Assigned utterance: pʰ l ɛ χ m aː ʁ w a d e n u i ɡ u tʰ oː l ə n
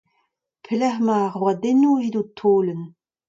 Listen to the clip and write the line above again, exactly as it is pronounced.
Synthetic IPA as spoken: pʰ l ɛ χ m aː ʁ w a d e n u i d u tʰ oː l ə n